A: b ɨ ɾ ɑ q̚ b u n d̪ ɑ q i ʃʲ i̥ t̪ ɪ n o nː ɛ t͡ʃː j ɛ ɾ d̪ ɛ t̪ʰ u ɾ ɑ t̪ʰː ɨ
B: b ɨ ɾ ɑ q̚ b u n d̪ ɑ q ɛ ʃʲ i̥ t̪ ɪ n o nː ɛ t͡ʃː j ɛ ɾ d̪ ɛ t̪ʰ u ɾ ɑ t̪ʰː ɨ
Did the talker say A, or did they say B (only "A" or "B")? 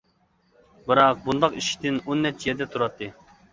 A